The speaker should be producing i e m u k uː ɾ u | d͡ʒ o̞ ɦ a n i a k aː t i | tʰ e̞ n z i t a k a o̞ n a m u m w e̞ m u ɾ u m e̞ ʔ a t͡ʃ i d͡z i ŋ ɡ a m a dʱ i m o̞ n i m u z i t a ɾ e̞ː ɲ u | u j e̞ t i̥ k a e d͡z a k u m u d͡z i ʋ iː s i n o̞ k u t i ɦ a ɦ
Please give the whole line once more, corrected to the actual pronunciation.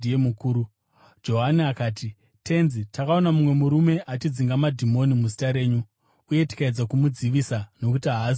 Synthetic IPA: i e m u k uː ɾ u | d͡ʒ o̞ ɦ a n i a k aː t i | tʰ e̞ n z i t a k a o̞ n a m u m w e̞ m u ɾ u m e̞ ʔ a t͡ʃ i d͡z i ŋ ɡ a m a dʱ i m o̞ n i m u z i t a ɾ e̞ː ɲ u | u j e̞ t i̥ k a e d͡z a k u m u d͡z i ʋ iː s a n o̞ k u t i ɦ a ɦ

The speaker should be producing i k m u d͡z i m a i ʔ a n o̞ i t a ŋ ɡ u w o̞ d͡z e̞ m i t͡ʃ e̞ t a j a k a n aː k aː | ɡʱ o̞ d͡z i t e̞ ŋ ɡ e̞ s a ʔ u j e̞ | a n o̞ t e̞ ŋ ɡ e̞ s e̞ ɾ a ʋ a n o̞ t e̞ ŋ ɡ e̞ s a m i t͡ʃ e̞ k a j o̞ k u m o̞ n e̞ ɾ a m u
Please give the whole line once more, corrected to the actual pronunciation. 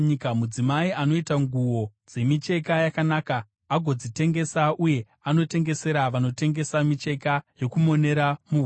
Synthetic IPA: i k m u d͡z i m a i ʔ a n o̞ i t a ŋ ɡ u w o̞ d͡z e̞ m i t͡ʃ e̞ k a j a k a n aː k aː | ɡʱ o̞ d͡z i t e̞ ŋ ɡ e̞ s a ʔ u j e̞ | a n o̞ t e̞ ŋ ɡ e̞ s e̞ ɾ a ʋ a n o̞ t e̞ ŋ ɡ e̞ s a m i t͡ʃ e̞ k a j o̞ k u m o̞ n e̞ ɾ a m u

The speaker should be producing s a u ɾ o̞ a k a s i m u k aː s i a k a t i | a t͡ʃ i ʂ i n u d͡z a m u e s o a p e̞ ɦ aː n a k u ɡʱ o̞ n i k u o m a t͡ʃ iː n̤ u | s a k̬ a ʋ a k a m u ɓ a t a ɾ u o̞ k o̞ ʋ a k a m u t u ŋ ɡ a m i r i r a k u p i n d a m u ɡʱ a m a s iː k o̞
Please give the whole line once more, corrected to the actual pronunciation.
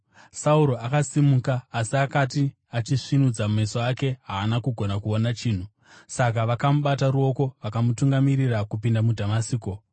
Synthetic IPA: s a u ɾ o̞ a k a s i m u k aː s i a k a t i | a t͡ʃ i ʂ i n u d͡z a m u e s o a k e̞ ɦ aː n a k u ɡʱ o̞ n a k u o n a t͡ʃ iː n̤ u | s a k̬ a ʋ a k a m u ɓ a t a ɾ u o̞ k o̞ ʋ a k a m u t u ŋ ɡ a m i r i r a k u p i n d a m u dʱ a m a s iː k o̞

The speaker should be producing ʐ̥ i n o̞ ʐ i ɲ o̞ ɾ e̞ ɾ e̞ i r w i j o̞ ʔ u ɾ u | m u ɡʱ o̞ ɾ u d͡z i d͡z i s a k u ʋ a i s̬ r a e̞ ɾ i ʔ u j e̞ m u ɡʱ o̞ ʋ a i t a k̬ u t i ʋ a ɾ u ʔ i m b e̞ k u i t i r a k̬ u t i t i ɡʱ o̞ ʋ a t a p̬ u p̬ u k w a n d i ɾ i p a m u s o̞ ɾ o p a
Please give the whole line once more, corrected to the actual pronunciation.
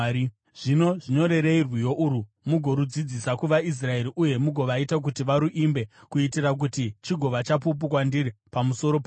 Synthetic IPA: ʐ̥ i n o̞ ʐ i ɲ o̞ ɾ e̞ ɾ e̞ i r w i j o̞ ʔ u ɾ u | m u ɡʱ o̞ ɾ u d͡z i d͡z i s a k u ʋ a i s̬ r a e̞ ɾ i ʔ u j e̞ m u ɡʱ o̞ ʋ a i t a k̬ u t i ʋ a ɾ u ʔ i m b e̞ k u i t i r a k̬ u t i t͡ʃ i ɡʱ o̞ ʋ a t͡ʃ a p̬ u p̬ u k w a n d i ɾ i p a m u s o̞ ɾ o p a

